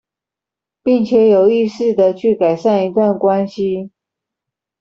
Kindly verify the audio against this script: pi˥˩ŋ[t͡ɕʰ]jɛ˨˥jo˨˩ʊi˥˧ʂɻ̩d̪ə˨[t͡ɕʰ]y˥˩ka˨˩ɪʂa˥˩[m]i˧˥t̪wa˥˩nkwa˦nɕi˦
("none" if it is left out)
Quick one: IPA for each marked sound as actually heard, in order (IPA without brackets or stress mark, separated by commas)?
t͡ɕʰ, t͡ɕʰ, n